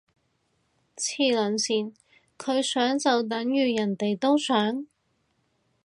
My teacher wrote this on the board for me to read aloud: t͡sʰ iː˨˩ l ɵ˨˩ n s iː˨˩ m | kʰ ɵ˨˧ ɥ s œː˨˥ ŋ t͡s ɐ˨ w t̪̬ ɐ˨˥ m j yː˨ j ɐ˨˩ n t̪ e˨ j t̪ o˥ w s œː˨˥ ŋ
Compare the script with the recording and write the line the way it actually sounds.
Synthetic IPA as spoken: t͡sʰ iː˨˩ l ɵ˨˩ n s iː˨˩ n | kʰ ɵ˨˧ ɥ s œː˨˥ ŋ t͡s ɐ˨ w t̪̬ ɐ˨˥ ŋ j yː˨ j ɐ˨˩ n t̪ e˨ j t̪ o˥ w s œː˨˥ ŋ